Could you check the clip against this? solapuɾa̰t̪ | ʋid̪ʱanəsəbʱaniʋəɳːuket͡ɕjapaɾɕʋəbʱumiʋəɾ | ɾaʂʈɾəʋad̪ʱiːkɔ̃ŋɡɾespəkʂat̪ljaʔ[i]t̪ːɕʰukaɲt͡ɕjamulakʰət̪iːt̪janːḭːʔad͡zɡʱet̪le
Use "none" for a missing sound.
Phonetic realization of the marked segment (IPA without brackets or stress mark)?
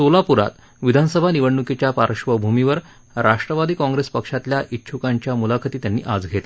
i